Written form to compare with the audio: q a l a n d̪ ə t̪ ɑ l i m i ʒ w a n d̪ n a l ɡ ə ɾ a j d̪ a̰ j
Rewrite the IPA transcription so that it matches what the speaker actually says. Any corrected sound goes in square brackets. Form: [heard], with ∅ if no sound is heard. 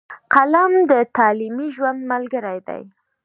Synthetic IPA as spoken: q a l a [m] d̪ ə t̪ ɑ l i m i ʒ w a n d̪ [m] a l ɡ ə ɾ a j d̪ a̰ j